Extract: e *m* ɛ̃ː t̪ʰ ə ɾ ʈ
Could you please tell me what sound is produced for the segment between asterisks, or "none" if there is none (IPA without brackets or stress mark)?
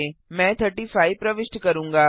m